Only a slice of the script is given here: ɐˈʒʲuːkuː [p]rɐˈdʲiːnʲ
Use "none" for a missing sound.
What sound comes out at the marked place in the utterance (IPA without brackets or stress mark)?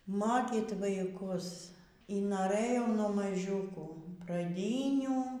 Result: p